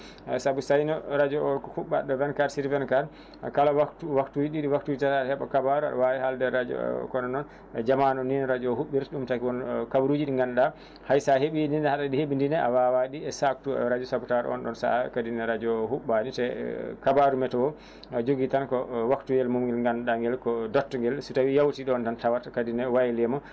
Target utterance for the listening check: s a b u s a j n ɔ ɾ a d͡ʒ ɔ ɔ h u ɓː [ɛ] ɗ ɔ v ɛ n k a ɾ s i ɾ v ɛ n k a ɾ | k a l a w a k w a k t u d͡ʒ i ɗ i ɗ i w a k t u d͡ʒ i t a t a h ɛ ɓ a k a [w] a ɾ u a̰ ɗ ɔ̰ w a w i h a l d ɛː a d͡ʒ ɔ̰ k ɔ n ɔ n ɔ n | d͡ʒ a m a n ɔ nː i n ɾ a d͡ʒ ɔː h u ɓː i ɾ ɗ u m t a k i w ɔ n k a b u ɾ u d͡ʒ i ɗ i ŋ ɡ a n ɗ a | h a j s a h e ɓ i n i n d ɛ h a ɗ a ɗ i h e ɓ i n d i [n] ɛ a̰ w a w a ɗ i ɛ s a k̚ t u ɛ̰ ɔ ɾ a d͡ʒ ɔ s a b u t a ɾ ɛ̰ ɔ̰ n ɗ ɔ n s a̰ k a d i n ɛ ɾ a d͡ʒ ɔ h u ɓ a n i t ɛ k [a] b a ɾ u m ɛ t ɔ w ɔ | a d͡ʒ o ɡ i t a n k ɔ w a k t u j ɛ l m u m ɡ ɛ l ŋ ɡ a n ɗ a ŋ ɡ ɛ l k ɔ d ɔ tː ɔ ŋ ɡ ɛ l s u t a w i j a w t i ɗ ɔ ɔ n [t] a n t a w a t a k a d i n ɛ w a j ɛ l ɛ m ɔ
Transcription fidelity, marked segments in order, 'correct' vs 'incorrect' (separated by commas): incorrect, incorrect, correct, correct, correct